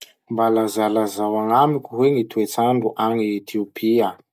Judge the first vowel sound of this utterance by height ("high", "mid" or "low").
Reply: low